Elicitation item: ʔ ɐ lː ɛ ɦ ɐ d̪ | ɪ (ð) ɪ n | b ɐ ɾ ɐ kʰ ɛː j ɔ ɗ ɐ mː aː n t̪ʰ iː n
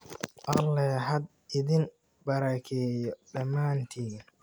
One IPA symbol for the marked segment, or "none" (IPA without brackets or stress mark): ð